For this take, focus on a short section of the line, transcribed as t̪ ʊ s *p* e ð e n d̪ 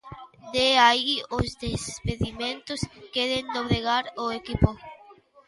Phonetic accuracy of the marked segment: incorrect: k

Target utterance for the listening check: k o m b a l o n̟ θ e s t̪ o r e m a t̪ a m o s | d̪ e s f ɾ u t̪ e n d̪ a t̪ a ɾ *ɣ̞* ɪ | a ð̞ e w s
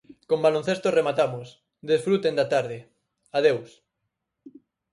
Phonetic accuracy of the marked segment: incorrect: ð̞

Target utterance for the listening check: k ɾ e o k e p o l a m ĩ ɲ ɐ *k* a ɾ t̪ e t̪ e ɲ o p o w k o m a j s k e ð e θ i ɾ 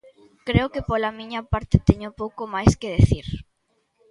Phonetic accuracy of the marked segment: incorrect: p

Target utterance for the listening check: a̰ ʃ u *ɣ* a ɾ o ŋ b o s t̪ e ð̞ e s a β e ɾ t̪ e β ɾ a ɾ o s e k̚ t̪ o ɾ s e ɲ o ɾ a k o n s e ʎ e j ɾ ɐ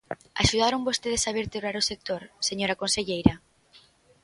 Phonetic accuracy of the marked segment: incorrect: ð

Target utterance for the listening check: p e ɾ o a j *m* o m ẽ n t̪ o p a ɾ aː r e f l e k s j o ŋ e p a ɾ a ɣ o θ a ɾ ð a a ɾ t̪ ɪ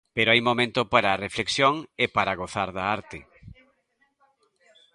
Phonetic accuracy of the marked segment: correct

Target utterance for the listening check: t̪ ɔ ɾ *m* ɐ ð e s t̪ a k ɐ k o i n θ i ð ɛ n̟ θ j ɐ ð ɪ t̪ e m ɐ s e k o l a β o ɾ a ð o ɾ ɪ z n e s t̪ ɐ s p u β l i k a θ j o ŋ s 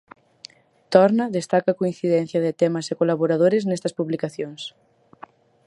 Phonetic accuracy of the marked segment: incorrect: n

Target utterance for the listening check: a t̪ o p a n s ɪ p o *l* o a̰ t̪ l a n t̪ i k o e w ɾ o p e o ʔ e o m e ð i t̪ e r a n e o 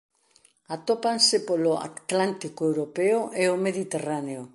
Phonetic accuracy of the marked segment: correct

